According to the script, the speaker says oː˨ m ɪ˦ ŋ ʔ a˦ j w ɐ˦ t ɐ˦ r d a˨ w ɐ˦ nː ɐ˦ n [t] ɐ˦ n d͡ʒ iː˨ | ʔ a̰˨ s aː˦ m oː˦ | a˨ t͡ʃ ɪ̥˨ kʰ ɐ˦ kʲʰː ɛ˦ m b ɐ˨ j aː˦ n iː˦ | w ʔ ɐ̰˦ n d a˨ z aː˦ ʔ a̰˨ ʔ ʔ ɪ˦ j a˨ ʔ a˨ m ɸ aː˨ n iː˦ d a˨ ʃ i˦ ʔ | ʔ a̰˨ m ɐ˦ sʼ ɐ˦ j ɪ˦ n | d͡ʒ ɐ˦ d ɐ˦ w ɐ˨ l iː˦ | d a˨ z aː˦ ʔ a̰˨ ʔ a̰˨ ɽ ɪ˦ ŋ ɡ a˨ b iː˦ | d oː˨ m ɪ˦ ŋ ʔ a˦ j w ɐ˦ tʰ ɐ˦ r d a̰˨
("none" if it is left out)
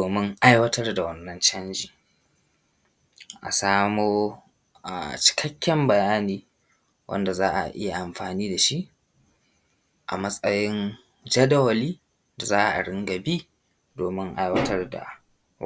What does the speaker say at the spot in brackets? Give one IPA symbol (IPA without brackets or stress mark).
t͡ʃ